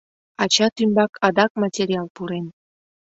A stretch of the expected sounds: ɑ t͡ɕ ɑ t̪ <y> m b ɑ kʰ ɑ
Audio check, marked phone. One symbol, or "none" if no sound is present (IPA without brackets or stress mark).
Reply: y